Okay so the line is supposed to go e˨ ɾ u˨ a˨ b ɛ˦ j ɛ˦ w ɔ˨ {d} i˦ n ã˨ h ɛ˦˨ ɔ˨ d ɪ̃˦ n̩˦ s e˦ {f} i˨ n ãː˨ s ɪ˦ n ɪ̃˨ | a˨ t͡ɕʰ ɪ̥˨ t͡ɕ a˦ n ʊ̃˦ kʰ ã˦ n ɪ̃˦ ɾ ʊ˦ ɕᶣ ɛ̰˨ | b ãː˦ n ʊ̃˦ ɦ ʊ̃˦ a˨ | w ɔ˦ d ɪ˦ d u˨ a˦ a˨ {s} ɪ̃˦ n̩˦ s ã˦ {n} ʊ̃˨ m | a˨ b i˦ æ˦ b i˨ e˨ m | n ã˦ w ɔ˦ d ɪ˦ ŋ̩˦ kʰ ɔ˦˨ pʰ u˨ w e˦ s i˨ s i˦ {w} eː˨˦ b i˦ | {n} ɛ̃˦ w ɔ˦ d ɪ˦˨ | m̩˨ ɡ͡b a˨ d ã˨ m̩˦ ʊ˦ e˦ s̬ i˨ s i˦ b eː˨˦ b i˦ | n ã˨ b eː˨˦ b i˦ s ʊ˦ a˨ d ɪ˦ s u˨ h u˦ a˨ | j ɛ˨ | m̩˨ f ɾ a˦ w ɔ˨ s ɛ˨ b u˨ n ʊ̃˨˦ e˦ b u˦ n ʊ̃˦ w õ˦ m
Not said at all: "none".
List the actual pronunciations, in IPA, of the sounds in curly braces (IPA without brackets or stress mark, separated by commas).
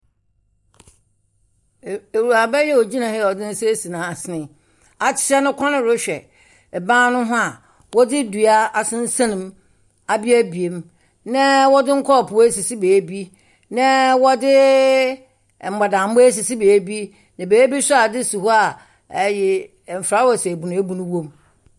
d͡ʑ, s, s, n, b, n